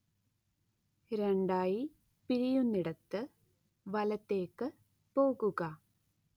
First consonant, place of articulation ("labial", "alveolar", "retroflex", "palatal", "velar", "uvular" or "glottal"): alveolar